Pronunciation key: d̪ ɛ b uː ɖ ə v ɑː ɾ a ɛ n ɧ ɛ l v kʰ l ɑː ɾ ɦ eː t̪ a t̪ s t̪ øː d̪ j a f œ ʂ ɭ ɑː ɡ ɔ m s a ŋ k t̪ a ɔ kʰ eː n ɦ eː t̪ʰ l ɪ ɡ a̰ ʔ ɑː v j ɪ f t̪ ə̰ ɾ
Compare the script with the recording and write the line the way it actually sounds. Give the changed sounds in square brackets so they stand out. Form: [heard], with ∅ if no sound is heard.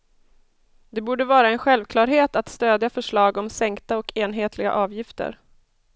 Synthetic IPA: d̪ ɛ b uː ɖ ə v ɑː ɾ a ɛ n ɧ ɛ l v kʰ l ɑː ɾ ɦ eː t̪ a t̪ s t̪ øː d̪ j a f œ ʂ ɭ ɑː ɡ ɔ m s [ɛ] ŋ k t̪ a ɔ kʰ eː n ɦ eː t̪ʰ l ɪ ɡ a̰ ʔ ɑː v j ɪ f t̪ ə̰ ɾ